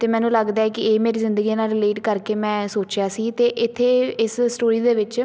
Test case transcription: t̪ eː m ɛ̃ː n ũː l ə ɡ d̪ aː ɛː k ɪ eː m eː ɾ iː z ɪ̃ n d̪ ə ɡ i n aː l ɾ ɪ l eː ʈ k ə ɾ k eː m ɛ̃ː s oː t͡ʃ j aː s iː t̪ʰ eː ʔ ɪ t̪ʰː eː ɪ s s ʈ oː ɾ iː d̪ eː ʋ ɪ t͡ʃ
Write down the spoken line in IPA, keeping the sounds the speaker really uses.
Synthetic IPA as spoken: t̪ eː m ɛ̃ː n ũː l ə ɡ d̪ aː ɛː k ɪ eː m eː ɾ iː z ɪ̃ n d̪ ə ɡ i n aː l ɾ ɪ l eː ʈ k ə ɾ k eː m ɛ̃ː s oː t͡ʃ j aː s iː t̪ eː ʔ ɪ t̪ʰː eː ɪ s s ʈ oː ɾ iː d̪ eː ʋ ɪ t͡ʃ